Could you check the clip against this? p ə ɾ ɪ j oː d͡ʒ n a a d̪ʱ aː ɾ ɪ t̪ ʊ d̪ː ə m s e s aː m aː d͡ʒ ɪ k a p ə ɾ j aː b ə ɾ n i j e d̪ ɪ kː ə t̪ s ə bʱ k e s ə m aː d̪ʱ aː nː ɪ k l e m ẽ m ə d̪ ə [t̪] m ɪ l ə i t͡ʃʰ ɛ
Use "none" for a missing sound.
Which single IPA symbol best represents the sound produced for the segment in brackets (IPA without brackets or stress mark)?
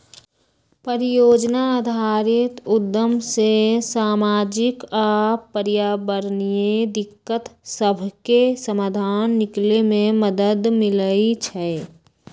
d̪